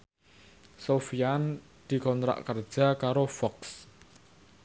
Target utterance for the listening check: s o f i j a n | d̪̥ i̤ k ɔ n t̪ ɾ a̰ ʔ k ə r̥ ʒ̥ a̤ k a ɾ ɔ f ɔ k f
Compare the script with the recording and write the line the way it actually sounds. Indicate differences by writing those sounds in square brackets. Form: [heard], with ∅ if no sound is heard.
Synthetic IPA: s o f i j a n | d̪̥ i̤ k ɔ n t̪ ɾ a̰ ʔ k ə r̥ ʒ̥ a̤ k a ɾ [o] f ɔ k [s]